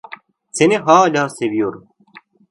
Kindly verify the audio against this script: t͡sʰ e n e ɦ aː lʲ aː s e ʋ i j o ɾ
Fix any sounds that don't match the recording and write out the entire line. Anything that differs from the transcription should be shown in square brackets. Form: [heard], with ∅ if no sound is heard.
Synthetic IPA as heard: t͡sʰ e n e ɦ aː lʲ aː s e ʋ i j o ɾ